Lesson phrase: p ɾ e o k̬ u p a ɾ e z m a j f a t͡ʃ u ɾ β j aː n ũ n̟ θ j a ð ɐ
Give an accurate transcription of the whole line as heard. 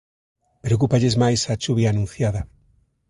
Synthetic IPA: p ɾ e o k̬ u p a ʎ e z m a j s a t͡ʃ u β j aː n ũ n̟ θ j a ð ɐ